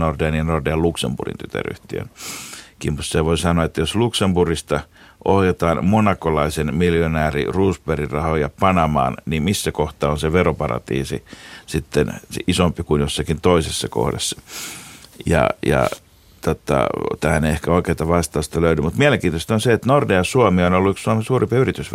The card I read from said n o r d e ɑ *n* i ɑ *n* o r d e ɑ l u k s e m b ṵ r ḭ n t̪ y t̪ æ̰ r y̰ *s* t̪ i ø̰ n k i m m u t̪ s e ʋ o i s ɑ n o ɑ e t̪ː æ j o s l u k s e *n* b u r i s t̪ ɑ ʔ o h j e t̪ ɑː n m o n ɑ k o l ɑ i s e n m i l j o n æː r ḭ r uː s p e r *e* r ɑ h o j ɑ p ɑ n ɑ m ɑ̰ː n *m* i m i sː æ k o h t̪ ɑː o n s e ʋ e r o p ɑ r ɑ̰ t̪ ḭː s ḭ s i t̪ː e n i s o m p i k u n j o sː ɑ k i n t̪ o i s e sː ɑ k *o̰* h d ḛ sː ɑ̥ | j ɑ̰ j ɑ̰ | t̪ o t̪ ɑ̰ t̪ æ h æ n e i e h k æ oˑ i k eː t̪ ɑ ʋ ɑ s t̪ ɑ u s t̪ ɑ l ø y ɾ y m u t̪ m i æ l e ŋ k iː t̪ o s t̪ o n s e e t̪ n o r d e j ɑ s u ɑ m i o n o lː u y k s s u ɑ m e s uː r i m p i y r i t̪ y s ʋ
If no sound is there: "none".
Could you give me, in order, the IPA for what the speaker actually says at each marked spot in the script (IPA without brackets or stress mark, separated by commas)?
n, n, h, m, i, n, o̰